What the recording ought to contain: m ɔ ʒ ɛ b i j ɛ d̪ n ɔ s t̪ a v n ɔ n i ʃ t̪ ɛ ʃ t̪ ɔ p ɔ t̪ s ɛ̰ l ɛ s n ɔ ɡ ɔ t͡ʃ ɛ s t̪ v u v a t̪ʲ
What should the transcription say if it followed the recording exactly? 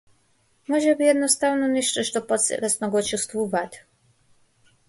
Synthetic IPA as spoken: m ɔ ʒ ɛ b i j ɛ d̪ n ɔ s t̪ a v n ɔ n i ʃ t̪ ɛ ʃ t̪ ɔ p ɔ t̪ s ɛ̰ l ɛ s n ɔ ɡ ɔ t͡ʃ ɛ s t̪ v u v a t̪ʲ